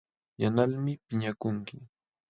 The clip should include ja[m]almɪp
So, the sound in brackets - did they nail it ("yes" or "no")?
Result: no